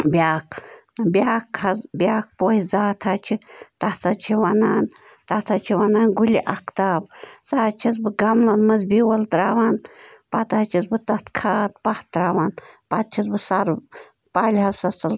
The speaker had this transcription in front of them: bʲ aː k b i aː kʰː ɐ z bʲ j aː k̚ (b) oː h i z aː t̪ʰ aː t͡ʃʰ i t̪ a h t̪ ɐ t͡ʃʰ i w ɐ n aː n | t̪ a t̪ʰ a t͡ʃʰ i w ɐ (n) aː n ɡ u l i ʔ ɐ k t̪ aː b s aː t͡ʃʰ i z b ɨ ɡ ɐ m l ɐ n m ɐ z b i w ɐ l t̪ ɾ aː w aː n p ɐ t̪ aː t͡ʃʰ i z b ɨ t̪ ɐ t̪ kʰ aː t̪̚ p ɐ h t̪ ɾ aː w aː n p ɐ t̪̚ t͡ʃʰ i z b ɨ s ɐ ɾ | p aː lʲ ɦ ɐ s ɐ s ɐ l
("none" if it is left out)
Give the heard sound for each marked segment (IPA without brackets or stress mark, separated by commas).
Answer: p, n